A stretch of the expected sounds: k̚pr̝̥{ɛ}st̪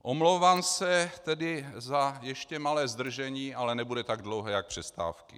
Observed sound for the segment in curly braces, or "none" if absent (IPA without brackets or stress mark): ɛ